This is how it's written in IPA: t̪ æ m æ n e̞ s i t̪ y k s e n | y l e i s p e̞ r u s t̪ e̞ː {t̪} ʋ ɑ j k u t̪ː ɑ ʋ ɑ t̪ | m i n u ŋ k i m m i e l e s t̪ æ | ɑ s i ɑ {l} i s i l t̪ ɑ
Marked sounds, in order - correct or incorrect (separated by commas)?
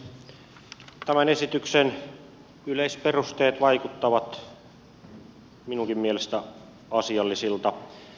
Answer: correct, incorrect